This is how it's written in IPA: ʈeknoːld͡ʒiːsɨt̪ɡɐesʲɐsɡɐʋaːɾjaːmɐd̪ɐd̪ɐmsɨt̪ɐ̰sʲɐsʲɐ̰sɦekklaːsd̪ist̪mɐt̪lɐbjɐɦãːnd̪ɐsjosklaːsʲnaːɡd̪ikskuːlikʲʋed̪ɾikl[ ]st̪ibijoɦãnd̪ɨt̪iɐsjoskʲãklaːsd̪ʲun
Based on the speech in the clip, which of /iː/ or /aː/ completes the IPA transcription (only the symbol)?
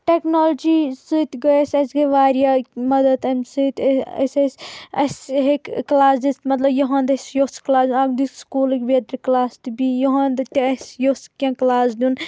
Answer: aː